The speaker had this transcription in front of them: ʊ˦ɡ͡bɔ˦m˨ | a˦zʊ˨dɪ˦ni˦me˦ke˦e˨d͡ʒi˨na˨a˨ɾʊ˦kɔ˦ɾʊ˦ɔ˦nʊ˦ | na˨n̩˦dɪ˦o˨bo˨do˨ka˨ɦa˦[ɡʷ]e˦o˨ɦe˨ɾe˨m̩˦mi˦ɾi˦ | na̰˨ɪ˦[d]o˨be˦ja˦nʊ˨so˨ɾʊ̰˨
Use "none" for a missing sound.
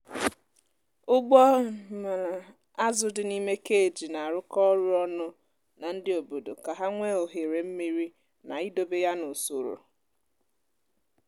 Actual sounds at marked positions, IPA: ŋʷ, d

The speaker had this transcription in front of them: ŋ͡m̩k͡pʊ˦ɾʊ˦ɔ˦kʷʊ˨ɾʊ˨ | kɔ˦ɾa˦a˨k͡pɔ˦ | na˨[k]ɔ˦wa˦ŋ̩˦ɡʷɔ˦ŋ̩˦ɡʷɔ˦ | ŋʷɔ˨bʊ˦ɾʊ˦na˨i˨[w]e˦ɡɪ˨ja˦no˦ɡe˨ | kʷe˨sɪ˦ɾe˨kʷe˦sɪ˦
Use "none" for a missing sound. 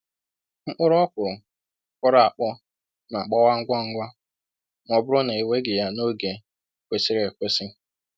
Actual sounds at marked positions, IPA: k͡p, w

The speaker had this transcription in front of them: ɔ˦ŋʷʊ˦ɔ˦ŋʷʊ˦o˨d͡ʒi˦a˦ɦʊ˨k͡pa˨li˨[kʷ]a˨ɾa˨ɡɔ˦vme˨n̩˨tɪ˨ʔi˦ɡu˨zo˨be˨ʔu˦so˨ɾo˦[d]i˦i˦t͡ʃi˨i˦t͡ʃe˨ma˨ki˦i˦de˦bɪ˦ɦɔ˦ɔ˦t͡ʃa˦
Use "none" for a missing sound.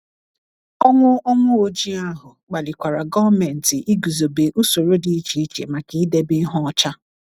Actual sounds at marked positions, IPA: kʷ, d

